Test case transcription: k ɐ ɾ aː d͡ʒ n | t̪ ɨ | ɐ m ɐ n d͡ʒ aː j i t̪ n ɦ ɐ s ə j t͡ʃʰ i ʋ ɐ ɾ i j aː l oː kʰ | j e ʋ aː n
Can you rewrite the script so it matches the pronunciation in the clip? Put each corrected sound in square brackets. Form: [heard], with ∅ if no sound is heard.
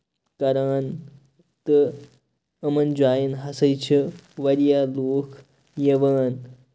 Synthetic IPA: k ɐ ɾ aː [∅] n | t̪ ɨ | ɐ m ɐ n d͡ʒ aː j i [∅] n ɦ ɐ s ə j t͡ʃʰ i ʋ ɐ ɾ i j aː l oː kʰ | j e ʋ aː n